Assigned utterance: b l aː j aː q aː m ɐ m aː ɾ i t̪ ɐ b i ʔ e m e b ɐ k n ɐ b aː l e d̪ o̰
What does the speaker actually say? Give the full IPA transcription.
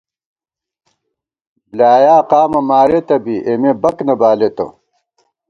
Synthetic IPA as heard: b l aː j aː q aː m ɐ m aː ɾ e t̪ ɐ b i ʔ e m e b ɐ k n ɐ b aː l e t̪ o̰